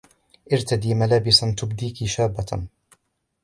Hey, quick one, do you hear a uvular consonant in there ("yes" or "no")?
no